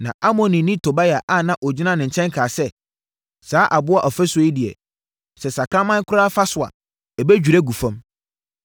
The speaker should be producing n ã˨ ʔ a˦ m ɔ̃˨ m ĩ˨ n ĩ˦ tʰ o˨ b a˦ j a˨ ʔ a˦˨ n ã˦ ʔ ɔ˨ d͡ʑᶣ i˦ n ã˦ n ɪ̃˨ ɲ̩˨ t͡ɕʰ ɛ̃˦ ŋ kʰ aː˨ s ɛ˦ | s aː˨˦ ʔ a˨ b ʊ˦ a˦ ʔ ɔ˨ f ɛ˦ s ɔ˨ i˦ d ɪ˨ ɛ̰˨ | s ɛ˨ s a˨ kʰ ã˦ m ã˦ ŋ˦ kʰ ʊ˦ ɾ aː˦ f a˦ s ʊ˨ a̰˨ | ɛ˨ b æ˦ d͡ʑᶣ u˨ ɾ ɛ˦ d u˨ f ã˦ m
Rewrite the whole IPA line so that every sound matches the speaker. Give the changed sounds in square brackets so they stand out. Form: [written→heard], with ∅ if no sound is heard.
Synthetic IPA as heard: n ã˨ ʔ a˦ m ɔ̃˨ [m→n] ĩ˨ n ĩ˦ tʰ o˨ b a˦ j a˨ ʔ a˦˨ n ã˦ ʔ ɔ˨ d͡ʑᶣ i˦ n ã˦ n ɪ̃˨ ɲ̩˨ t͡ɕʰ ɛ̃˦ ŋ kʰ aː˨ s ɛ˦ | s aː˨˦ ʔ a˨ b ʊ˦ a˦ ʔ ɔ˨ f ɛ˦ s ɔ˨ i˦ d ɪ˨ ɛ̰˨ | s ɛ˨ s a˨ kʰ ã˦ m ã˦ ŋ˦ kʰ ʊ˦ ɾ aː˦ f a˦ s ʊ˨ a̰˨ | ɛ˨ b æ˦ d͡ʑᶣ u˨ ɾ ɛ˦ [d→ɡ] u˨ f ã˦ m